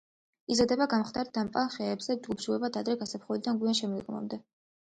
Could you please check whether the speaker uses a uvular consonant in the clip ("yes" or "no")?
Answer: yes